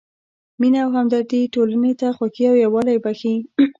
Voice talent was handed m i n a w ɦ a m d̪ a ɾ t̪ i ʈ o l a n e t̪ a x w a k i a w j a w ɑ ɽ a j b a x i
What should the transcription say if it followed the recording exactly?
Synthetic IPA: m i n a w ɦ a m d̪ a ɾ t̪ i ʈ o l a n e t̪ a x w a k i a w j a w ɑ l a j b a x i